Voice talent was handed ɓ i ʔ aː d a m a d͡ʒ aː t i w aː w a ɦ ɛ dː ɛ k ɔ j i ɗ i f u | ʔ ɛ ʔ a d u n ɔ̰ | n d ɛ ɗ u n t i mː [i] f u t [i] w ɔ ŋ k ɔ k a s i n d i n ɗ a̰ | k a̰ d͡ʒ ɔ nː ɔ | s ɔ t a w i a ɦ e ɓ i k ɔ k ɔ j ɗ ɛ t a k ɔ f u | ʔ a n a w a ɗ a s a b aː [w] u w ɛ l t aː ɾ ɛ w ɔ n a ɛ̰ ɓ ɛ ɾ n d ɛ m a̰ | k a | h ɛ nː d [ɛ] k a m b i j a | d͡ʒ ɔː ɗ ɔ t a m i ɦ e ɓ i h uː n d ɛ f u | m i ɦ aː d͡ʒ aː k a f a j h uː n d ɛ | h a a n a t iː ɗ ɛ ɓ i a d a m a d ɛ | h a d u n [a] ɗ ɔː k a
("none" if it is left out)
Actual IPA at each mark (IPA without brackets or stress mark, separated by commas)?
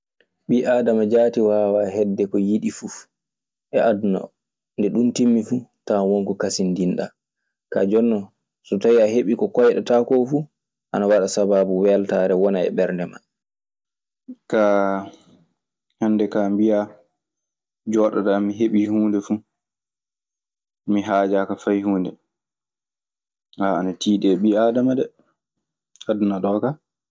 i, a, b, ɛ, a